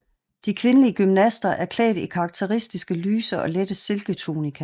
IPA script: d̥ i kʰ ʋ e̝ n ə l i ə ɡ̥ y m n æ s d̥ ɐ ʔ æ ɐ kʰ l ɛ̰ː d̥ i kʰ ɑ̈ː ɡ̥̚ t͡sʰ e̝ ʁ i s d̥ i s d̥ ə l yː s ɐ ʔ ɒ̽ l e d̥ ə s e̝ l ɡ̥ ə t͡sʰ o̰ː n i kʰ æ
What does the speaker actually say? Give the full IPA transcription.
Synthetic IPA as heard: d̥ i kʰ ʋ e̝ n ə l i ə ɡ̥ y m n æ s d̥ ɐ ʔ æ ɐ kʰ l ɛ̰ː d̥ i kʰ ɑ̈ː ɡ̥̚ t͡sʰ e̝ ʁ i s d̥ i s ɡ̥ ə l yː s ɐ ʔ ɒ̽ l e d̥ ə s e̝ l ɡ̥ ə t͡sʰ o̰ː n i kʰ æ